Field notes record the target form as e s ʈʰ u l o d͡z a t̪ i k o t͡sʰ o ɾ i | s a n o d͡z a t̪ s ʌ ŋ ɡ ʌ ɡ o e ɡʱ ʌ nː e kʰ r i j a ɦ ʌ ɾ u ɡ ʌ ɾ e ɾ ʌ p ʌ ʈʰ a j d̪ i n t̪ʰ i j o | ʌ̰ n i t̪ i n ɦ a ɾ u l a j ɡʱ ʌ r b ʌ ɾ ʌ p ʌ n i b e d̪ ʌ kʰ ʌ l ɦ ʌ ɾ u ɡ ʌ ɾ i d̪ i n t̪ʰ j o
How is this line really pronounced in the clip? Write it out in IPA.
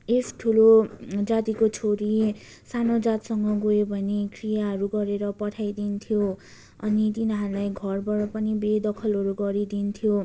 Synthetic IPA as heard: e s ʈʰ u l o d͡z a t̪ i k o t͡sʰ o ɾ i | s a n o d͡z a t̪ s ʌ ŋ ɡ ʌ ɡ o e bʱ ʌ n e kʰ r i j a ɦ ʌ ɾ u ɡ ʌ ɾ e ɾ ʌ p ʌ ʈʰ a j d̪ i n t̪ʰ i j o | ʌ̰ n i t̪ i n ɦ a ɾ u l a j ɡʱ ʌ r b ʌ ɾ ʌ p ʌ n i b e d̪ ʌ kʰ ʌ l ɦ ʌ ɾ u ɡ ʌ ɾ i d̪ i n t̪ʰ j o